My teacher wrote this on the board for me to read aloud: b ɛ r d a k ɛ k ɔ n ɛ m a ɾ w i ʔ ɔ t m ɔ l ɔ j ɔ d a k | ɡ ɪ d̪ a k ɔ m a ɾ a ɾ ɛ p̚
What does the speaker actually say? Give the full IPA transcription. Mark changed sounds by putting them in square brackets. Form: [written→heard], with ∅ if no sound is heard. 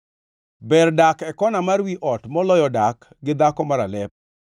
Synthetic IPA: b ɛ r d a k ɛ k ɔ n [ɛ→a] m a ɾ w i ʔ ɔ t m ɔ l ɔ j ɔ d a k | ɡ ɪ d̪ a k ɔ m a ɾ a [ɾ→l] ɛ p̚